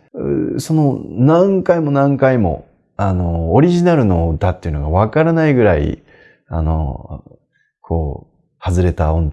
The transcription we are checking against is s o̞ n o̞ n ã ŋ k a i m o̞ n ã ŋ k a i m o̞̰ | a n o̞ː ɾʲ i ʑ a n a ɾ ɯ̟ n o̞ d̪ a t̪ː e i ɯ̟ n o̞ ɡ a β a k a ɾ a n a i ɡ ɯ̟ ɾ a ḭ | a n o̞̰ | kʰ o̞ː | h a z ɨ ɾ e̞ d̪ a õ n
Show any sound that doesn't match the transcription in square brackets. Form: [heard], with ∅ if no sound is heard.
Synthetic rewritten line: s o̞ n o̞ n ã ŋ k a i m o̞ n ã ŋ k a i m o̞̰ | a n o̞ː ɾʲ i ʑ [i] n a ɾ ɯ̟ n o̞ d̪ a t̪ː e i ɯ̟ n o̞ ɡ a β a k a ɾ a n a i ɡ ɯ̟ ɾ a ḭ | a n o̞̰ | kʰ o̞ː | h a z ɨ ɾ e̞ [t̪] a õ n